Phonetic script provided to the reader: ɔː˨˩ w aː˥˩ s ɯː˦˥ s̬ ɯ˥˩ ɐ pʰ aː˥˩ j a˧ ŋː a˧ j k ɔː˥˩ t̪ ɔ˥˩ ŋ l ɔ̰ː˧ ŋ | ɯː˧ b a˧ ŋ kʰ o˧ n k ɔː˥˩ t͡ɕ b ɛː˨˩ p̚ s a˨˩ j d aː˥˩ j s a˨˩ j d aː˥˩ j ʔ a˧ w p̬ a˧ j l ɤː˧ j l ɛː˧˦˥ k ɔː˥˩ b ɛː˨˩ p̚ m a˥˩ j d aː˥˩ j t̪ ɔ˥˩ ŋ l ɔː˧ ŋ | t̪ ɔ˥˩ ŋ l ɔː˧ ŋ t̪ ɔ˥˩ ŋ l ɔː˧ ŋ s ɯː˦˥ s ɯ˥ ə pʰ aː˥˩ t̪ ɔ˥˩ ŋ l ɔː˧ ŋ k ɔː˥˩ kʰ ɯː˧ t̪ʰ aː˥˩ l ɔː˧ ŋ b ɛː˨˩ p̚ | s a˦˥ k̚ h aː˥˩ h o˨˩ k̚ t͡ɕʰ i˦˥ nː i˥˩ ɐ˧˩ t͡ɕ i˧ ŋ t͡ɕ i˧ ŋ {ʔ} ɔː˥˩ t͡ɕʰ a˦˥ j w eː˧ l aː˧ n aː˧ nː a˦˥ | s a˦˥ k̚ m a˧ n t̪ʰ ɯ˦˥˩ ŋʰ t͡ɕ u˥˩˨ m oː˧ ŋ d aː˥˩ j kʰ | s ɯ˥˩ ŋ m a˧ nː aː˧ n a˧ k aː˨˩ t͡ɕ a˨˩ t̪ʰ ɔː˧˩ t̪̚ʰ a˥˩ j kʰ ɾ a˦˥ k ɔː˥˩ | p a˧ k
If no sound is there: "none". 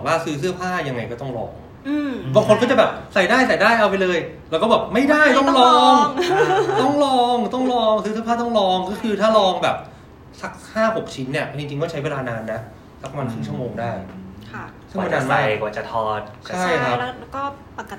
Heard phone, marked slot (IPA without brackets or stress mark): k